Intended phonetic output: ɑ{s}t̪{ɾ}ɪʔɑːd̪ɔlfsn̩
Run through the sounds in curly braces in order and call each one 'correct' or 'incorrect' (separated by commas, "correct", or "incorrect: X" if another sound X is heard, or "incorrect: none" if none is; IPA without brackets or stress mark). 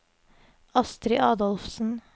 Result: correct, correct